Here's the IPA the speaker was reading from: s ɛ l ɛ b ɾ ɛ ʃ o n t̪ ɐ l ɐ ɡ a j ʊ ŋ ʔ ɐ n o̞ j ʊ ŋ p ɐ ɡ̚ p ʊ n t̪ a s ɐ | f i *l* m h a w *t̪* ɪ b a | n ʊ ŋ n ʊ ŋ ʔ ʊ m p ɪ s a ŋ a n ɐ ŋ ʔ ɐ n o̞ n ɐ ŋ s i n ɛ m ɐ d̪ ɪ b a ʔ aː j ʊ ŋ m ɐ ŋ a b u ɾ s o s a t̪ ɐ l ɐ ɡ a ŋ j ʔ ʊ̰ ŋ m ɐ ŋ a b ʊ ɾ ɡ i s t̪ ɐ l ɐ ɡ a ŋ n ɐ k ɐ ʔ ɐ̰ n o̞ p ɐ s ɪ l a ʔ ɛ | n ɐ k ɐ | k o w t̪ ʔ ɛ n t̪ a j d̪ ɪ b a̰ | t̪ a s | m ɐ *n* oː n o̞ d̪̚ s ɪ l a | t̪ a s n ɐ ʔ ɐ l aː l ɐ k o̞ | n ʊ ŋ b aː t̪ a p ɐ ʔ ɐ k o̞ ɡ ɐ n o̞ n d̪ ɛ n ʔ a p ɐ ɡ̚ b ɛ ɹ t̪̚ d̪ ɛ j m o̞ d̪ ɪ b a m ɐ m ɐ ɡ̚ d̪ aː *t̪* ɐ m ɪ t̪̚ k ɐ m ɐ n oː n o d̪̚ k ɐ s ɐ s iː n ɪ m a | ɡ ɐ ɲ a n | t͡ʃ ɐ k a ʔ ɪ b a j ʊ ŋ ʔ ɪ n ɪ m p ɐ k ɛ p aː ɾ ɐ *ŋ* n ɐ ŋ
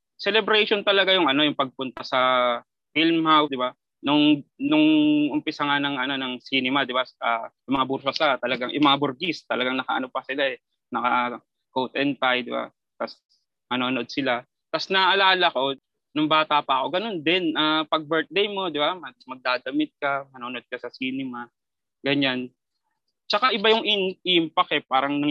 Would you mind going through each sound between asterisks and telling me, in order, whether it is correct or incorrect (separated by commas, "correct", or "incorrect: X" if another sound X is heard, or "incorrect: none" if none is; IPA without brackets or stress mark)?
correct, incorrect: d̪, correct, incorrect: d̪, correct